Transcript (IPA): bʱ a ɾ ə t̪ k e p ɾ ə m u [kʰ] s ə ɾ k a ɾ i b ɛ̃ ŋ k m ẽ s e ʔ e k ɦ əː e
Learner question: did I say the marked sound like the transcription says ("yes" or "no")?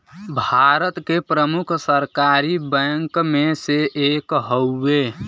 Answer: yes